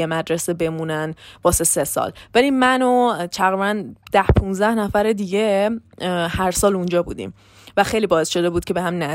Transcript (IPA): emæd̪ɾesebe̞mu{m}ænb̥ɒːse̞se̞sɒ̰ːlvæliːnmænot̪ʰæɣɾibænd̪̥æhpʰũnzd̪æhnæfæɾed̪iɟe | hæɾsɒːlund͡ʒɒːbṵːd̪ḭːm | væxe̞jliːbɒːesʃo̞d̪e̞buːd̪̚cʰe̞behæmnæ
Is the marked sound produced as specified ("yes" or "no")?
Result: no